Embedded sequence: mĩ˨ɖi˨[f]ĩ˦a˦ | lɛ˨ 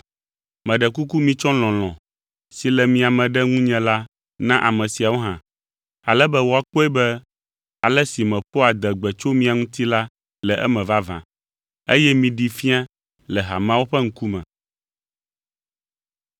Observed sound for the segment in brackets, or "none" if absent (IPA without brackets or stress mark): f